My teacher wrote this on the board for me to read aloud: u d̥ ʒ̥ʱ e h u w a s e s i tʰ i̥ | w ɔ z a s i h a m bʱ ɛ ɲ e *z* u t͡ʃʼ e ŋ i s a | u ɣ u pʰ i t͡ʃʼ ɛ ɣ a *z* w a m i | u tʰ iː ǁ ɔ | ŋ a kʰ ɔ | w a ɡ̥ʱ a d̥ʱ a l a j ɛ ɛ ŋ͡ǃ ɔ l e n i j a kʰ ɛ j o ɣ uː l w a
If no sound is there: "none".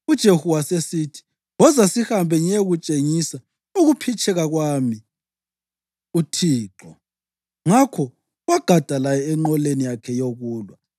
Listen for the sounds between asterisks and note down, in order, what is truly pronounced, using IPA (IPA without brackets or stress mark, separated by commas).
ɣ, ɣ